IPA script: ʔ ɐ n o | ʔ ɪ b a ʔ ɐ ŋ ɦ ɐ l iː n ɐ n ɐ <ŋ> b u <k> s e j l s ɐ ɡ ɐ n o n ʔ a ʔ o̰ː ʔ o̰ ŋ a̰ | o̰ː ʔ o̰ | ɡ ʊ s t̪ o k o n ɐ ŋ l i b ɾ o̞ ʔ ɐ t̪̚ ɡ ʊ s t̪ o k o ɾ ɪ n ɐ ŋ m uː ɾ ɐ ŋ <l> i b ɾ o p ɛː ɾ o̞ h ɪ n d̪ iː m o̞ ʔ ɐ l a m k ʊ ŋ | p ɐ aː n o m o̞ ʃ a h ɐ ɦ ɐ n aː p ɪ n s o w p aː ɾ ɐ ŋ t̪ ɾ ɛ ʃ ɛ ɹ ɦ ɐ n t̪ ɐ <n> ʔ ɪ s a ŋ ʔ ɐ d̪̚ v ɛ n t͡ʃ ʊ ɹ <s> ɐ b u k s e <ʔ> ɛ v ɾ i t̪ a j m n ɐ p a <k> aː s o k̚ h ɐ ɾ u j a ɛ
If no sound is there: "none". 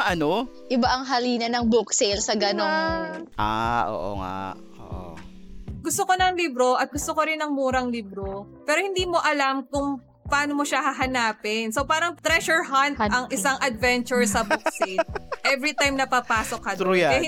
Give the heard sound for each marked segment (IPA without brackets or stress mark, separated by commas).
ŋ, k, l, ŋ, s, ʔ, p